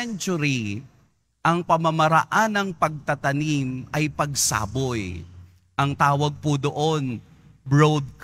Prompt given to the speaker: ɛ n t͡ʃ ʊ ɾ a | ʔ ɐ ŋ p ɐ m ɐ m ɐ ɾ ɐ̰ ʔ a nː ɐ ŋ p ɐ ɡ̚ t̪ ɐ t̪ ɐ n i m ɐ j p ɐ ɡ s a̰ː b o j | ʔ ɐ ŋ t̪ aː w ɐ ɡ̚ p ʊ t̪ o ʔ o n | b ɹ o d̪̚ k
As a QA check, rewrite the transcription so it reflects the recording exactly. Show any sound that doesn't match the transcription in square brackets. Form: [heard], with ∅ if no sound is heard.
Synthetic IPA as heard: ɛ n t͡ʃ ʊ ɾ [i] | ʔ ɐ ŋ p ɐ m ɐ m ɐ ɾ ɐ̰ ʔ a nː ɐ ŋ p ɐ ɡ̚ t̪ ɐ t̪ ɐ n i m ɐ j p ɐ ɡ s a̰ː b o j | ʔ ɐ ŋ t̪ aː w ɐ ɡ̚ p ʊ [d̪] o ʔ o n | b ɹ o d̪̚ k

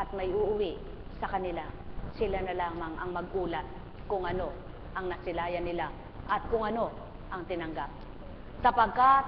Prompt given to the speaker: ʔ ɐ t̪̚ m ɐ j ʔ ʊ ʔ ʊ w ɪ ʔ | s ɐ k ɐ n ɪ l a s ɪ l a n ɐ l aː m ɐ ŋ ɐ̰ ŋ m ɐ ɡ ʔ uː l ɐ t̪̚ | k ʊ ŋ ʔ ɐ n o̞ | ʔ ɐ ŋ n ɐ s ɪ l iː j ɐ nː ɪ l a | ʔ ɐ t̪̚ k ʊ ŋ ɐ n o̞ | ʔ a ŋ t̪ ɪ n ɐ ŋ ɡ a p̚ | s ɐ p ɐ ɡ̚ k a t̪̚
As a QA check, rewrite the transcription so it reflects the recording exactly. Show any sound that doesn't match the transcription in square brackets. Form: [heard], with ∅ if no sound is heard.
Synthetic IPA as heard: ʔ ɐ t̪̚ m ɐ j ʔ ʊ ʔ ʊ w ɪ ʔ | s ɐ k ɐ n ɪ l a s ɪ l a n ɐ l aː m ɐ ŋ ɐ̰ ŋ m ɐ ɡ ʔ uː l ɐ t̪̚ | k ʊ ŋ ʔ ɐ n o̞ | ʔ ɐ ŋ n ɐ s ɪ l [aː] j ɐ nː ɪ l a | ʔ ɐ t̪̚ k ʊ ŋ ɐ n o̞ | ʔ [ɐ] ŋ t̪ ɪ n ɐ ŋ ɡ a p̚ | s ɐ p ɐ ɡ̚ k a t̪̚

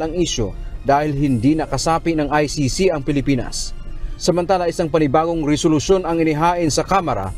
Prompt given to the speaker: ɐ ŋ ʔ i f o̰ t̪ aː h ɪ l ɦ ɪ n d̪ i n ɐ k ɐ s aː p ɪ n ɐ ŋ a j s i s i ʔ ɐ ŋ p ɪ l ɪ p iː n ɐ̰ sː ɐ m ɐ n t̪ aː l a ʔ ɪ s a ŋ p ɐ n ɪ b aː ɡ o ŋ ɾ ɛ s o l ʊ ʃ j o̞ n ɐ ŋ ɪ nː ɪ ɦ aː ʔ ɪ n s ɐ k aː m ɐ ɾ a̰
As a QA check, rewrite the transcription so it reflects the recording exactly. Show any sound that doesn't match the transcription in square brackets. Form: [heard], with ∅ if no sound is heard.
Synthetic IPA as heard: ɐ ŋ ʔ i [ʃ] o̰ [d̪] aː h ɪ l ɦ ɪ n d̪ i n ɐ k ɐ s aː p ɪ n ɐ ŋ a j s i s i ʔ ɐ ŋ p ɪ l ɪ p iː n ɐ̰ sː ɐ m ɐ n t̪ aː l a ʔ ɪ s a ŋ p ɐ n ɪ b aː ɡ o ŋ ɾ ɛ s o l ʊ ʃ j o̞ n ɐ ŋ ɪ [n] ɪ ɦ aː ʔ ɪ n s ɐ k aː m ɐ ɾ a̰

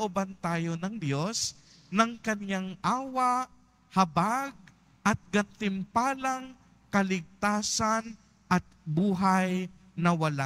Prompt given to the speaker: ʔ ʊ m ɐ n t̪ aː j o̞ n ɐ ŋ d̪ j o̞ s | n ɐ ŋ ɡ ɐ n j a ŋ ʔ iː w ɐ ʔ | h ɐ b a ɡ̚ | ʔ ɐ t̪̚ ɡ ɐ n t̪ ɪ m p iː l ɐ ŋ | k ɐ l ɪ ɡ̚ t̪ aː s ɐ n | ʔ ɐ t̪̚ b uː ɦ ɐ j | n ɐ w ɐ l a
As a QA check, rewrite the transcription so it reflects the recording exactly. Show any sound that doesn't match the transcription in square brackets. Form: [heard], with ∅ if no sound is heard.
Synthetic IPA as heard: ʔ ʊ [b] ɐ n t̪ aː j o̞ n ɐ ŋ d̪ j o̞ s | n ɐ ŋ [k] ɐ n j a ŋ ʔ [aː] w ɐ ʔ | h ɐ b a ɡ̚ | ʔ ɐ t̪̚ ɡ ɐ n t̪ ɪ m p [aː] l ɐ ŋ | k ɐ l ɪ ɡ̚ t̪ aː s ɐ n | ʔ ɐ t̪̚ b uː ɦ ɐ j | n ɐ w ɐ l a

